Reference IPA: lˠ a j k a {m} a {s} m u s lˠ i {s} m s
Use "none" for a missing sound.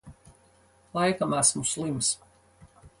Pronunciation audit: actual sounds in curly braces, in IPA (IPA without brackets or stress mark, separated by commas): m, s, none